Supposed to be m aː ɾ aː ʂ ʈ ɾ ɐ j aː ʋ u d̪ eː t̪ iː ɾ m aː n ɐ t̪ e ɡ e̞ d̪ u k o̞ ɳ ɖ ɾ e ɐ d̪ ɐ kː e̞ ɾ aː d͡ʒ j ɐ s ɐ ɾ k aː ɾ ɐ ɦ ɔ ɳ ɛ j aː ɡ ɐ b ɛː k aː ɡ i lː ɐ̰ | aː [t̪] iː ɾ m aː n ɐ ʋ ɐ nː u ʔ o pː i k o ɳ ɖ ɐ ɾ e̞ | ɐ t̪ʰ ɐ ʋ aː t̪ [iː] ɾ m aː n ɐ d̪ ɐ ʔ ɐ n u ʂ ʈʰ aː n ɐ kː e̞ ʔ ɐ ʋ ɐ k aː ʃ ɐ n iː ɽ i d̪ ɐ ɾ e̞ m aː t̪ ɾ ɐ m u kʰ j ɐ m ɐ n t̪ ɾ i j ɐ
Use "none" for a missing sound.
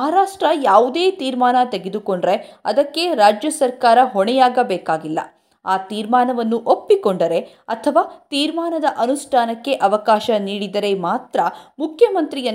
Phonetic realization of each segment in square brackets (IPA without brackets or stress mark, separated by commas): t̪, iː